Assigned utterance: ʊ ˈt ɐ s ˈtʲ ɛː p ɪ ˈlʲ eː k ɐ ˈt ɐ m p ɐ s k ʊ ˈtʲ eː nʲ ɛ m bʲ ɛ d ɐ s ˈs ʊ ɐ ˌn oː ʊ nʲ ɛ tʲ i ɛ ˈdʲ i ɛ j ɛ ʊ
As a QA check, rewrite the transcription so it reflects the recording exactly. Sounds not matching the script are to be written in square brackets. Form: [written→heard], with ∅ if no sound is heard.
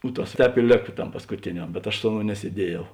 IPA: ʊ ˈt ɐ s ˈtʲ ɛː p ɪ ˈlʲ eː k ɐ ˈt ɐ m p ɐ s k ʊ ˈtʲ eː nʲ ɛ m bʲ ɛ [d→t] ɐ [s→ʃ] ˈs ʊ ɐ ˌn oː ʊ nʲ ɛ [tʲ→sʲ] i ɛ ˈdʲ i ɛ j ɛ ʊ